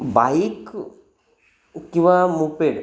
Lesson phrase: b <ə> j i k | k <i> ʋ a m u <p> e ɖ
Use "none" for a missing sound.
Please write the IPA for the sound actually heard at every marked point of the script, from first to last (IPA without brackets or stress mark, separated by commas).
a, i, p